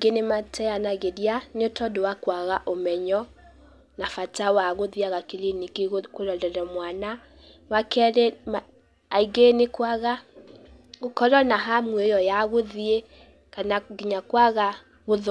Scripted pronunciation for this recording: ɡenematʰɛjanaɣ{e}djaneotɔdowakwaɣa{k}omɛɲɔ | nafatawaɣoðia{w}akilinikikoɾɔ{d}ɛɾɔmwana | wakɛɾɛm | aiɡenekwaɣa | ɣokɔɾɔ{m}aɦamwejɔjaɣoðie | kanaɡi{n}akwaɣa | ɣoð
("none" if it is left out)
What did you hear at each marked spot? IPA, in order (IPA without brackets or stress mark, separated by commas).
e, ʔ, ɣ, d, n, ɲ